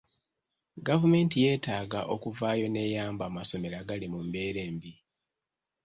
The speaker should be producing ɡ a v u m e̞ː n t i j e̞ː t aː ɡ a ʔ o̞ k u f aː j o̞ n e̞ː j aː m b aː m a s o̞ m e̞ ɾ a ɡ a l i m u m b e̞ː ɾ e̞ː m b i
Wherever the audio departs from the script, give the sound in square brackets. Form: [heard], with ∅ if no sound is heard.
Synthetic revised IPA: ɡ a v u m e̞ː n t i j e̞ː t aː ɡ a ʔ o̞ k u [v] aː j o̞ n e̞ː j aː m b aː m a s o̞ m e̞ ɾ a ɡ a l i m u m b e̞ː ɾ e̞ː m b i